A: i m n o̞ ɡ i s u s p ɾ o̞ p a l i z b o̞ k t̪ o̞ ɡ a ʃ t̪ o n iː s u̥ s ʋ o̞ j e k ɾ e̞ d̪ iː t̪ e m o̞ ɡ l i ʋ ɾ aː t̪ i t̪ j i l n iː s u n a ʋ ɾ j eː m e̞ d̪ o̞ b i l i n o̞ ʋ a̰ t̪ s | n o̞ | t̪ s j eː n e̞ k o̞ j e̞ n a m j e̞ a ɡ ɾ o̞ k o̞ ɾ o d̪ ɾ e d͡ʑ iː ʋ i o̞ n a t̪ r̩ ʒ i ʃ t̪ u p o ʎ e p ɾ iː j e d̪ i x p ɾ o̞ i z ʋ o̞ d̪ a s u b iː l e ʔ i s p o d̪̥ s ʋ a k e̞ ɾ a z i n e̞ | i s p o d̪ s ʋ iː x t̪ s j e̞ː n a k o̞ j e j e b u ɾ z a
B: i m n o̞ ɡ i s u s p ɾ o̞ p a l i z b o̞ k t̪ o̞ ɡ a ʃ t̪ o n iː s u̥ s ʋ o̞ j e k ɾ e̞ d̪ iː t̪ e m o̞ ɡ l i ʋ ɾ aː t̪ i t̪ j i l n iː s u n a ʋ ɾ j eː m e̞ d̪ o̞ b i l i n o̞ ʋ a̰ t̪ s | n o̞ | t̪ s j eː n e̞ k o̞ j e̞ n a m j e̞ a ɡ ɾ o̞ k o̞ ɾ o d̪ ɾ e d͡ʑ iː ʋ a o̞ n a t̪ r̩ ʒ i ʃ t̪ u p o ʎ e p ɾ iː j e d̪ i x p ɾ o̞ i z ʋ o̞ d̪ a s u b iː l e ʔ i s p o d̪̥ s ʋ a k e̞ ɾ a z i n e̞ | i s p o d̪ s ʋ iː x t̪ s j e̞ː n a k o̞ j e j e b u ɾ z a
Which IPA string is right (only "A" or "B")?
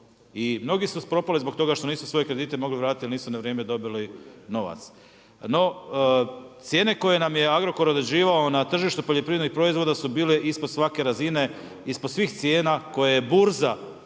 B